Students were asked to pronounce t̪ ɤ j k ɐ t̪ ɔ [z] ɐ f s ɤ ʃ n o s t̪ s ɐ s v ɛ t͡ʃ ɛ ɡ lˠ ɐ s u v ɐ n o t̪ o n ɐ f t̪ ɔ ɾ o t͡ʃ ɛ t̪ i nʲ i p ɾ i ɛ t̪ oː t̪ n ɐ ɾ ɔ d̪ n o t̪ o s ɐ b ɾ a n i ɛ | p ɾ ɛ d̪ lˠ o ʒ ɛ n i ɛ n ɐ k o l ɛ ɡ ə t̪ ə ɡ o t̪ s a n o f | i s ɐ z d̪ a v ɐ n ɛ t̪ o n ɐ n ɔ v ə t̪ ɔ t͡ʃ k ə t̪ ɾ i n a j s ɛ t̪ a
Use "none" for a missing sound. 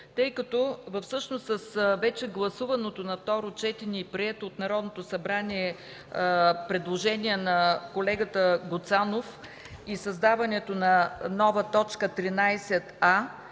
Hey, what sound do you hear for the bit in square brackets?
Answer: v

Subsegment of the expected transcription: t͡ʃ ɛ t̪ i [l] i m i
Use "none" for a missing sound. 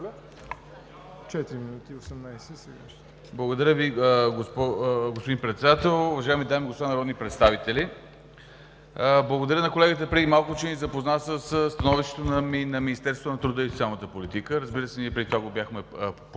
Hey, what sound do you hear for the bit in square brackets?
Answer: ɾ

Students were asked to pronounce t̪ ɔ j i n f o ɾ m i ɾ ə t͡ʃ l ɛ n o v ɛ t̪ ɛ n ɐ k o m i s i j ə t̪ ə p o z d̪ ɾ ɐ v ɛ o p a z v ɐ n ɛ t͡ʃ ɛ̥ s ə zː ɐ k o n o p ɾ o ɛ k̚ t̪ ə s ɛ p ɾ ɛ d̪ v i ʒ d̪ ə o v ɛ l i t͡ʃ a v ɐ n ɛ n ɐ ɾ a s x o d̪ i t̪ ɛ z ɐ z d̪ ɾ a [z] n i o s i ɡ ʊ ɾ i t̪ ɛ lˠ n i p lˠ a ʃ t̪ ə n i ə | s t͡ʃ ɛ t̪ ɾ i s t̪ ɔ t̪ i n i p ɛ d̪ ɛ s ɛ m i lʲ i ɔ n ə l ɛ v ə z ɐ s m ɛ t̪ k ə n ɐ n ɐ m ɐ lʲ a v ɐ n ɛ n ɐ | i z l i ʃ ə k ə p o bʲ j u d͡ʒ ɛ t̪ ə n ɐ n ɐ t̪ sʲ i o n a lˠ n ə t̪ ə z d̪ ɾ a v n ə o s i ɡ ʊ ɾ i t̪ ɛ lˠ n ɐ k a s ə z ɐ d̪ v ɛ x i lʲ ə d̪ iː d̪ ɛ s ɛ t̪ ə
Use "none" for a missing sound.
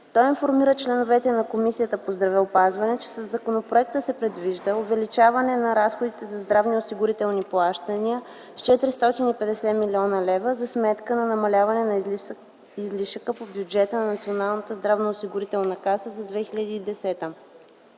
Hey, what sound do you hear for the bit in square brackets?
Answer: v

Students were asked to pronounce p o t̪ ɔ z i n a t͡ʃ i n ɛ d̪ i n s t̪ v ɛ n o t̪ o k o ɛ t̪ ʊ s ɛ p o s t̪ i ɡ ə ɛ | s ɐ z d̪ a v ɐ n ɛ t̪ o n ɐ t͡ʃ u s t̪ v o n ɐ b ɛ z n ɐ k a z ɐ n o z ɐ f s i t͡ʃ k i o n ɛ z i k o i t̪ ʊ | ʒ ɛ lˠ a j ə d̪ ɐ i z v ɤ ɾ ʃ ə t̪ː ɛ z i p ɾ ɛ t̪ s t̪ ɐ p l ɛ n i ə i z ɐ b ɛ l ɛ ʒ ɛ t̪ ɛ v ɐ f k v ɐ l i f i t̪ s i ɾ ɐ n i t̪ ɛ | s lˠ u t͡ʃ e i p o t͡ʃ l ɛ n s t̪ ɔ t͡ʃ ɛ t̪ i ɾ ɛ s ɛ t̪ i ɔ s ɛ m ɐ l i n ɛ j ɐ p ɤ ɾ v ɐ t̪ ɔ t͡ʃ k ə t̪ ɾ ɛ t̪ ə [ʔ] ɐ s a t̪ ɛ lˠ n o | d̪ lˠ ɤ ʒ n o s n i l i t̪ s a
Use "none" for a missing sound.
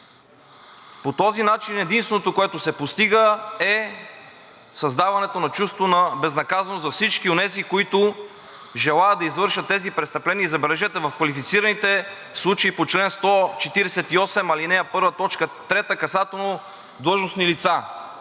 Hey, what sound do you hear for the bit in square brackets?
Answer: k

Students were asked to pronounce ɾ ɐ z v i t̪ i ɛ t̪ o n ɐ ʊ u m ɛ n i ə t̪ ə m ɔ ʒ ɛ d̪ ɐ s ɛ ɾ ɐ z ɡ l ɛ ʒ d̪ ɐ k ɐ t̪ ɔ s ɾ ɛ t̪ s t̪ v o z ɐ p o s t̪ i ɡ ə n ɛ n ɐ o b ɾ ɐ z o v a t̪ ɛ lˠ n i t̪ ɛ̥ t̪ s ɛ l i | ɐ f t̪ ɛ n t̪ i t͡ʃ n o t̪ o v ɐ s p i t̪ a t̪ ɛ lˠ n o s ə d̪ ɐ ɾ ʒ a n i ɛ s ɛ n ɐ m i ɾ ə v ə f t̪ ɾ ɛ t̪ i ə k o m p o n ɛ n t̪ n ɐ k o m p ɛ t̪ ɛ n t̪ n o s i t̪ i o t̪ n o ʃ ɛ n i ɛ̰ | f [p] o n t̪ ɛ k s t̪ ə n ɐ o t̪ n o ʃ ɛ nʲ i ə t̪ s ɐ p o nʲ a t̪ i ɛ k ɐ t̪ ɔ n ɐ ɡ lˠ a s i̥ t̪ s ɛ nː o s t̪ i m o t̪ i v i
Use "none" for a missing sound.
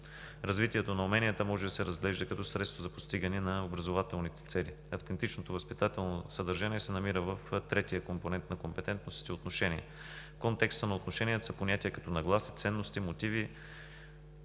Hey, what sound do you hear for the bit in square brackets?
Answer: k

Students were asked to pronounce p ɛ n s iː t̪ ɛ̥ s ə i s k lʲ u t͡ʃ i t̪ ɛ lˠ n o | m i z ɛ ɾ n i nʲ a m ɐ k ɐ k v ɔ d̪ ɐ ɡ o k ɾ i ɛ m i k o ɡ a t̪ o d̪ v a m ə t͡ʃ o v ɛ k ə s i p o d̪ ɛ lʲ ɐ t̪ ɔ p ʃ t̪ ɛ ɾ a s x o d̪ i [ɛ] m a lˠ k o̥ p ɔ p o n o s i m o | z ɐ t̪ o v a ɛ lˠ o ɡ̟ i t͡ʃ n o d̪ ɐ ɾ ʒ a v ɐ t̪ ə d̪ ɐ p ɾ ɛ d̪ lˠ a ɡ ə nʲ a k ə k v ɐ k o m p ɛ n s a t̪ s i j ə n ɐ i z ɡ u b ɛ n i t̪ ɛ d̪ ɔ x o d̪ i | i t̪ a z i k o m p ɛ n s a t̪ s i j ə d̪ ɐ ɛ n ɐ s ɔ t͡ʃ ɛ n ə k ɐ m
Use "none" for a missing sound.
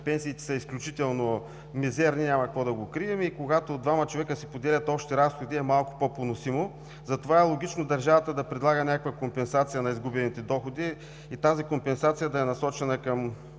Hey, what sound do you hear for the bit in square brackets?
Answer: ɛ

